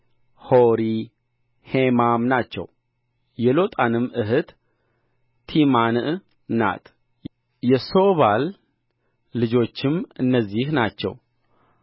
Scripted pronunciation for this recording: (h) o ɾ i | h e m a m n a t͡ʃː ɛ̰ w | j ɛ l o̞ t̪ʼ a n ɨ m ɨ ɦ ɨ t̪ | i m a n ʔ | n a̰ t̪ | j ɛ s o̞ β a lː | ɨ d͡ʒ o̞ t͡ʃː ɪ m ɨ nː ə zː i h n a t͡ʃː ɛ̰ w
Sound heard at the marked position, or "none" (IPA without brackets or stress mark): h